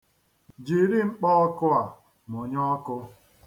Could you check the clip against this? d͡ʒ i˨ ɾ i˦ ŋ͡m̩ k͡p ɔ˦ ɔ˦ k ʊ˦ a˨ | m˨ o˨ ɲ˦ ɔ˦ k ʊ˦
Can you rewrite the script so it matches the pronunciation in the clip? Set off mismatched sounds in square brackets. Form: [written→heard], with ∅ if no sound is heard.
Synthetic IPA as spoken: d͡ʒ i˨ ɾ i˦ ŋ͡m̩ k͡p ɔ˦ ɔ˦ k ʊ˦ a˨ | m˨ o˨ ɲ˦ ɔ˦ k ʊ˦

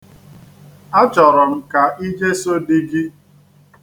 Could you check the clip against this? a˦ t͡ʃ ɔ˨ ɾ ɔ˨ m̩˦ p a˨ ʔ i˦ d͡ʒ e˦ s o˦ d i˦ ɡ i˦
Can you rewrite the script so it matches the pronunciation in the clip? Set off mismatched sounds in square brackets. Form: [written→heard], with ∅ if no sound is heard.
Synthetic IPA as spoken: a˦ t͡ʃ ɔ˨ ɾ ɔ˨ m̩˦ [p→k] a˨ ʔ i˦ d͡ʒ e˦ s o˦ d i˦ ɡ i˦

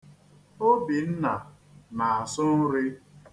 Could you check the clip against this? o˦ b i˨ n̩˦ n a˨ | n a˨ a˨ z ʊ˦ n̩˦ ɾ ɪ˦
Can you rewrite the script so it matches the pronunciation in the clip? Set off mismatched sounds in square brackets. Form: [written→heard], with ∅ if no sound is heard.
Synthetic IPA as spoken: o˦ b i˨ n̩˦ n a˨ | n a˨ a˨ [z→s] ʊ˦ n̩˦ ɾ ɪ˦

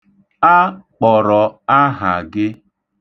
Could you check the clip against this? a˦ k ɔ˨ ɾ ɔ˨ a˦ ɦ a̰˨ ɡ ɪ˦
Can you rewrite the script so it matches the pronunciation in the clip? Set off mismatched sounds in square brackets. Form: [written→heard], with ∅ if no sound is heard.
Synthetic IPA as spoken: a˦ [k→k͡p] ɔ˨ ɾ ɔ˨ a˦ ɦ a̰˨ ɡ ɪ˦

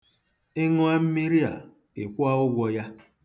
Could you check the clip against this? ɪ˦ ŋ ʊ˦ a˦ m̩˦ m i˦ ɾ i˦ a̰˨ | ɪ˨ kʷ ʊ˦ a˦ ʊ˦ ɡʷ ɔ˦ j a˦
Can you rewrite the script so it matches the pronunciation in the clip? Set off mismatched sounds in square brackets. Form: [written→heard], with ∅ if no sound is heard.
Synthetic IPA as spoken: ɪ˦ ŋ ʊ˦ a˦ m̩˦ m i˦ ɾ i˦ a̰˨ | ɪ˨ kʷ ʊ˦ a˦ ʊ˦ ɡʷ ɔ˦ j a˦

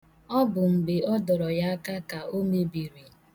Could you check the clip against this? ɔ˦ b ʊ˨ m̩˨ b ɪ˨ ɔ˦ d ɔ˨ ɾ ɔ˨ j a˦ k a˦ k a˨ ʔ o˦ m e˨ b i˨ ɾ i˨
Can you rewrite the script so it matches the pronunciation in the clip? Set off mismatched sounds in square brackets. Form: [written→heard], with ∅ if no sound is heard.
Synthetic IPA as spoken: ɔ˦ b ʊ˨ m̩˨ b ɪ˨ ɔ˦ d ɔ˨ ɾ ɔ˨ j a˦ k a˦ k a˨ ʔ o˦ m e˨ b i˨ ɾ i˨

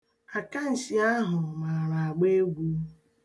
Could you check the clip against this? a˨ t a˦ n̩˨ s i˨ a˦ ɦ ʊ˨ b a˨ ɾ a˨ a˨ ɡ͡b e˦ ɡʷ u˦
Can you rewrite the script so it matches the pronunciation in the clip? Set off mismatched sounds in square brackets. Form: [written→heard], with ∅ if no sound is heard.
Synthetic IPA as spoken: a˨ [t→k] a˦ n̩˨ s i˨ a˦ ɦ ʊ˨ [b→m] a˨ ɾ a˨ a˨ ɡ͡b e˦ ɡʷ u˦

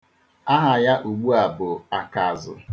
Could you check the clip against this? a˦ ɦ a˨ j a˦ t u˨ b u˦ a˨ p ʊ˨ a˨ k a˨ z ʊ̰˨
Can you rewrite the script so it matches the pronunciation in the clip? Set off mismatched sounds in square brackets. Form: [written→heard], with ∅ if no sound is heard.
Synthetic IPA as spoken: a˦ ɦ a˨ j a˦ [t→ʔ] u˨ [b→ɡ͡b] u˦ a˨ [p→b] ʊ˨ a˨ k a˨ z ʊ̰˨

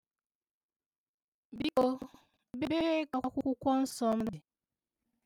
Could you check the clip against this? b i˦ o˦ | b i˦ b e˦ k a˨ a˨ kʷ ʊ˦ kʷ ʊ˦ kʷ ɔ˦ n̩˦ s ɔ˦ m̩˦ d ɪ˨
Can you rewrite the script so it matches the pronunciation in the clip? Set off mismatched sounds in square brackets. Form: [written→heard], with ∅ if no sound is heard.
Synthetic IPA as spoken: b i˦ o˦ | b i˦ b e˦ k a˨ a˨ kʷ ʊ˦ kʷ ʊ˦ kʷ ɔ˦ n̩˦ s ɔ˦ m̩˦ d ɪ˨

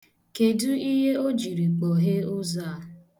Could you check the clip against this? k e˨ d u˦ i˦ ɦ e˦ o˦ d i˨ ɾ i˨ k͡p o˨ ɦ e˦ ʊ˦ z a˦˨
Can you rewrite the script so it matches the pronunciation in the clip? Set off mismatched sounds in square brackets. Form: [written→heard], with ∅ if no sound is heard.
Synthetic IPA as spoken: k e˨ d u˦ i˦ ɦ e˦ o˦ [d→d͡ʒ] i˨ ɾ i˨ k͡p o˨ ɦ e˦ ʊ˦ z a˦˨

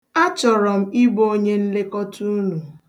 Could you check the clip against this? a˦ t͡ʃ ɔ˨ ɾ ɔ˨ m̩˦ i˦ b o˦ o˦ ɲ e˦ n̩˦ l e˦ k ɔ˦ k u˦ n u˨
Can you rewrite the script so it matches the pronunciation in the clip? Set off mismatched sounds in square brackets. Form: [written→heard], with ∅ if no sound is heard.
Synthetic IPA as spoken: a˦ t͡ʃ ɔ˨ ɾ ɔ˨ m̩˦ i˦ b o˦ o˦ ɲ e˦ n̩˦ l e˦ k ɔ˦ [k→t] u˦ n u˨

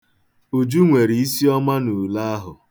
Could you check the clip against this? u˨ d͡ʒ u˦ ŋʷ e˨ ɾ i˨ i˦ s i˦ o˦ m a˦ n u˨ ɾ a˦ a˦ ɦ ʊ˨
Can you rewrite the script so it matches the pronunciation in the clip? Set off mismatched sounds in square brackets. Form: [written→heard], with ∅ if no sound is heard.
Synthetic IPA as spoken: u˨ d͡ʒ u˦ ŋʷ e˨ ɾ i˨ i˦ s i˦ [o˦→ɔ˦] m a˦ n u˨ [ɾ→l] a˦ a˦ ɦ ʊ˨

